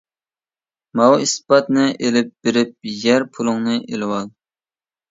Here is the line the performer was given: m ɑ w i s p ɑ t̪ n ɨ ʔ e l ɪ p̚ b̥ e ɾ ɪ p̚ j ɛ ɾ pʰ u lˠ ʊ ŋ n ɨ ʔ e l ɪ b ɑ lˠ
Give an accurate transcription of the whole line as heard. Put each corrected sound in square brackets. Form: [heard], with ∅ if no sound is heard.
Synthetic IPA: m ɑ w i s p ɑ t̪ n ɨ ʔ e l ɪ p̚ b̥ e ɾ ɪ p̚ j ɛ ɾ pʰ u lˠ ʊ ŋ n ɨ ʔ e l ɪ [w] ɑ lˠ